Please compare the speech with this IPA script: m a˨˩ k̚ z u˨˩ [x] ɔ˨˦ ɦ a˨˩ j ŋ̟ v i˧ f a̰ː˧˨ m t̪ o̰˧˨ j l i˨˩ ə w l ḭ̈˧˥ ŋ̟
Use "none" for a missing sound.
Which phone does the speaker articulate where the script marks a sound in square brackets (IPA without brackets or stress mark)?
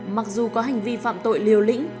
k